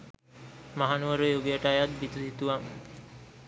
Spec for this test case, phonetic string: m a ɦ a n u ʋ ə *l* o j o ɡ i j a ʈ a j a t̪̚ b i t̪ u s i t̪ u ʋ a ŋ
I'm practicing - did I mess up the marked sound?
yes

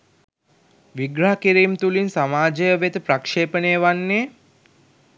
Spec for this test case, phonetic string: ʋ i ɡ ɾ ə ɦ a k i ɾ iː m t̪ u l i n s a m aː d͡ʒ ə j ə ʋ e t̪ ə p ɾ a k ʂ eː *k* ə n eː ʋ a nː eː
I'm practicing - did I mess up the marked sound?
yes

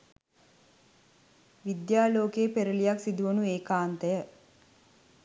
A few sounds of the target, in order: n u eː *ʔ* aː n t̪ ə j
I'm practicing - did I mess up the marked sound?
yes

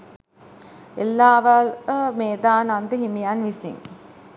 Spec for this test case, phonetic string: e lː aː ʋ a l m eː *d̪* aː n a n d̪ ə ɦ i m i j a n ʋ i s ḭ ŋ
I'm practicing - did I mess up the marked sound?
no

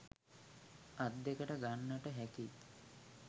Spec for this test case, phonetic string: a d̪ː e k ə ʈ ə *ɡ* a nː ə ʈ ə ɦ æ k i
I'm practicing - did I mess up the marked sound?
no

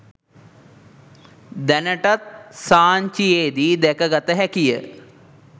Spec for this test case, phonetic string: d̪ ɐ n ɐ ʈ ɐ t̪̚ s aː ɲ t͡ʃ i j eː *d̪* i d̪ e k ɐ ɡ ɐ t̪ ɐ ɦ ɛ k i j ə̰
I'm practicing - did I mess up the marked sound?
no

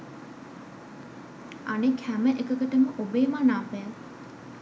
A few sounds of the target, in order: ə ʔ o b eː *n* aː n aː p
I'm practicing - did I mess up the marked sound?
yes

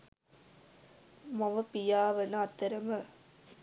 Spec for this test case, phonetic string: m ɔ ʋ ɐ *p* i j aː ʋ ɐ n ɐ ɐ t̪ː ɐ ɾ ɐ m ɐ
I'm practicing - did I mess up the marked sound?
no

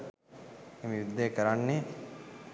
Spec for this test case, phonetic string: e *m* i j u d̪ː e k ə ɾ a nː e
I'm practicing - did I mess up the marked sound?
no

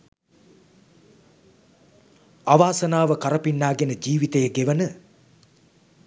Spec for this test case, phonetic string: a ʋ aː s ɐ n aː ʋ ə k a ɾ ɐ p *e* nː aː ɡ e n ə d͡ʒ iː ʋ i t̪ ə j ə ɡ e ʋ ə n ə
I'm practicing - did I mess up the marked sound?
yes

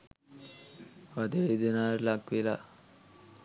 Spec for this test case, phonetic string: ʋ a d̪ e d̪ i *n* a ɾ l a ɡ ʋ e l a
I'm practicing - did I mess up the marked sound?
no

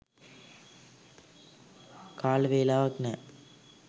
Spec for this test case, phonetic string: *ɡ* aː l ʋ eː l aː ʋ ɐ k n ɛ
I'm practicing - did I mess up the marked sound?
yes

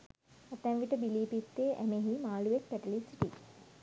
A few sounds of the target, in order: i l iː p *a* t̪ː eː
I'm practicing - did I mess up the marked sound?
yes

